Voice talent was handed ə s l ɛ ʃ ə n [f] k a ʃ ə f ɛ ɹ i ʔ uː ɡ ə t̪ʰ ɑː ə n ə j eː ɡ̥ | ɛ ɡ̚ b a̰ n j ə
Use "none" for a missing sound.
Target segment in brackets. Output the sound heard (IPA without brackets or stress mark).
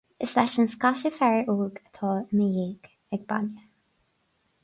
s